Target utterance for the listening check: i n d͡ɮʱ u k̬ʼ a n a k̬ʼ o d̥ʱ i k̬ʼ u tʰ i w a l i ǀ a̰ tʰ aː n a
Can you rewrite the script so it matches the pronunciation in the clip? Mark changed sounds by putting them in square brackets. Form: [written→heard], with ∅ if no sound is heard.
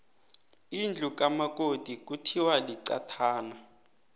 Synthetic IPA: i n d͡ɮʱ u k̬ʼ a [n→m] a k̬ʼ o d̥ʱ i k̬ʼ u tʰ i w a l i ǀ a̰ tʰ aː n a